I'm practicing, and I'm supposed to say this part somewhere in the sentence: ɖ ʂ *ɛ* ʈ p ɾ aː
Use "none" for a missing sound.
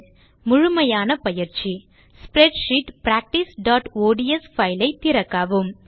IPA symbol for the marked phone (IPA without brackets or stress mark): i